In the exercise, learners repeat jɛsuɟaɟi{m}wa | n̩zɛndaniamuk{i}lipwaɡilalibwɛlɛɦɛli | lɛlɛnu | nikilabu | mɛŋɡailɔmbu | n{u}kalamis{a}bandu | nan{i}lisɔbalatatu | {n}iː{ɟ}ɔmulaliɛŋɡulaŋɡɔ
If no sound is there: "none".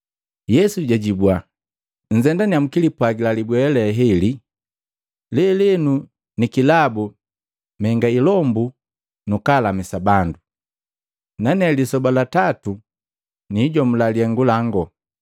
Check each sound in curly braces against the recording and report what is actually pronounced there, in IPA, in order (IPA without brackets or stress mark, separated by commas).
b, i, u, a, ɛ, n, ɟ